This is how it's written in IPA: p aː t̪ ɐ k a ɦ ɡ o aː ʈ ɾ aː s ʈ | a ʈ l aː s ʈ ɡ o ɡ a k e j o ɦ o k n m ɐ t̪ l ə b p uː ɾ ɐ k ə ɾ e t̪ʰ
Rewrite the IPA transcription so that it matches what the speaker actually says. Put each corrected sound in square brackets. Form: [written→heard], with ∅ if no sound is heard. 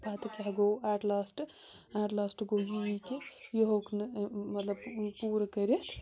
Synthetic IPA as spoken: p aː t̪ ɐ k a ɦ ɡ o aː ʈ [ɾ→l] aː s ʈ | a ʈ l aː s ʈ ɡ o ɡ [a→i] k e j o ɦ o k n m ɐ t̪ l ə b p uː ɾ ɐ k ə ɾ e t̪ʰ